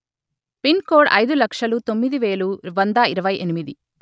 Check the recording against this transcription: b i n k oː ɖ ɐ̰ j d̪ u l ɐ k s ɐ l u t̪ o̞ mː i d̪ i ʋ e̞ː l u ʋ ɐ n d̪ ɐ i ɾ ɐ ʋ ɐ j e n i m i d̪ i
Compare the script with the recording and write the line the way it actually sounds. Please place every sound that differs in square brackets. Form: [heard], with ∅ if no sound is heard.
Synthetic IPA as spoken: [p] i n k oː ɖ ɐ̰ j d̪ u l ɐ k [ʂ] ɐ l u t̪ o̞ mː i d̪ i ʋ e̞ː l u ʋ ɐ n d̪ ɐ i ɾ ɐ ʋ ɐ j e n i m i d̪ i